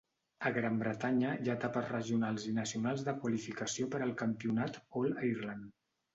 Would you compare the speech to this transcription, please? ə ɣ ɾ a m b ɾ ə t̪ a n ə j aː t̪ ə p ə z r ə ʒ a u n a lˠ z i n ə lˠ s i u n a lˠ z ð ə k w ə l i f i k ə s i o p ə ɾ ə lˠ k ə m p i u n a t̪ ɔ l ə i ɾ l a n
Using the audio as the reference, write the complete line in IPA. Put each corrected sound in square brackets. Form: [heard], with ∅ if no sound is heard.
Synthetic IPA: ə ɣ ɾ a m b ɾ ə t̪ a [ɲ] ə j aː t̪ [a] p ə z r ə ʒ [i] u n a lˠ z i n ə [∅] s i u n a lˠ z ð ə k w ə l i f i k ə s i o p ə ɾ ə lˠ k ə m p i u n a t̪ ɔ l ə i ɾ l a n